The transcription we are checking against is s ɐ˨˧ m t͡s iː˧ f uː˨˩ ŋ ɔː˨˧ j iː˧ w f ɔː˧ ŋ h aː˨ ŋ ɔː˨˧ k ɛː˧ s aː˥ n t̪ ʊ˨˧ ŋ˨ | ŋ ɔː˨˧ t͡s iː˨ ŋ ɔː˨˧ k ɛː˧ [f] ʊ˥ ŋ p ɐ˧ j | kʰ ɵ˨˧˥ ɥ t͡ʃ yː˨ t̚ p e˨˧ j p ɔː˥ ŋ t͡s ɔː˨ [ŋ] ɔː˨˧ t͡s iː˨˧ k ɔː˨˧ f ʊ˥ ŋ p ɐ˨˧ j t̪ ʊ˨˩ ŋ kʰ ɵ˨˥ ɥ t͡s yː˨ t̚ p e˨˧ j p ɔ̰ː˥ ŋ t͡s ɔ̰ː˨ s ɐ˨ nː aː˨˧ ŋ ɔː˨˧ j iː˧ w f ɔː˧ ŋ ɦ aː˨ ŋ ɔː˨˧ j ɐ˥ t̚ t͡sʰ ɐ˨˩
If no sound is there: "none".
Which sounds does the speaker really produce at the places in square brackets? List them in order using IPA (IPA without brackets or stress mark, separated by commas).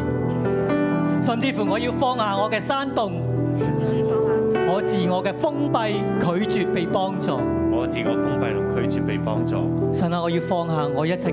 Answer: f, ŋ